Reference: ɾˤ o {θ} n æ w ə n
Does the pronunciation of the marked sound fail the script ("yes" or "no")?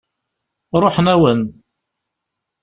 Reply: yes